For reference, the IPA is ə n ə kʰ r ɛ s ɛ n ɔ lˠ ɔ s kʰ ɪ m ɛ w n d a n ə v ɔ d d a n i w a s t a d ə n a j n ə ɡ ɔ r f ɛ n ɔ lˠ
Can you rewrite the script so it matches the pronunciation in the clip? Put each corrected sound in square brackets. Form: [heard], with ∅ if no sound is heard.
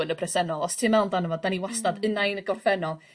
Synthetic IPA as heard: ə n ə [pʰ] r ɛ s ɛ n ɔ lˠ ɔ s [tʰ] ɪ m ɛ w n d a n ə v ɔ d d a n i w a s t a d ə n a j n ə ɡ ɔ r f ɛ n ɔ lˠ